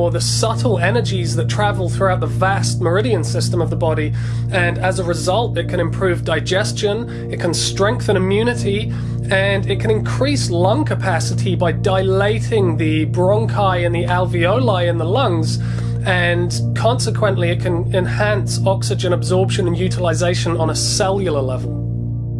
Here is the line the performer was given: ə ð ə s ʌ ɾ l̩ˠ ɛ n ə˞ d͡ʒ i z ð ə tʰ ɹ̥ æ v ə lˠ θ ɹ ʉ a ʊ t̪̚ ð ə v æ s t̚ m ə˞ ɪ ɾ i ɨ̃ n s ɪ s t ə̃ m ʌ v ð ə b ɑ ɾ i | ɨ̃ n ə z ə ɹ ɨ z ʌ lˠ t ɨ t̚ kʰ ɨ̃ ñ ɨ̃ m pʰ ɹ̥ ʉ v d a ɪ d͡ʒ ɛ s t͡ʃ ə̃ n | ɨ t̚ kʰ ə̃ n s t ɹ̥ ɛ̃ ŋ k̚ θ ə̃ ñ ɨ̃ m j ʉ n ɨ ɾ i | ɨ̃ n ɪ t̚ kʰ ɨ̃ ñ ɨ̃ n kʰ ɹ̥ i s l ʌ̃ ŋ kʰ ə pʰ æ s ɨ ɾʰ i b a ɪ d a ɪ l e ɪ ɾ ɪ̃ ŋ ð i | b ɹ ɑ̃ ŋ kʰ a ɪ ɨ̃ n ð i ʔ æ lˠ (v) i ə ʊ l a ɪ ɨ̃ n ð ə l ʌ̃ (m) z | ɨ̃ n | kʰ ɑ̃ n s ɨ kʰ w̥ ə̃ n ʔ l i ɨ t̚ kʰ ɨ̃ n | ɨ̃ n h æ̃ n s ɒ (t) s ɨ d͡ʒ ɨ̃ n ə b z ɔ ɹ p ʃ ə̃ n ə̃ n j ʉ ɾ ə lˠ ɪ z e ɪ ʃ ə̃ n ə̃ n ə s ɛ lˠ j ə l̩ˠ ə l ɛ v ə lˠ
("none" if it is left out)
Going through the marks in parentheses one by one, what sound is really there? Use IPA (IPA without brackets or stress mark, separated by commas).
v, ŋ, k